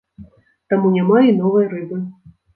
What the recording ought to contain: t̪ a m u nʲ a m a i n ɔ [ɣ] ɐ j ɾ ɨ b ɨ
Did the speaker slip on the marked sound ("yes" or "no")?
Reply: yes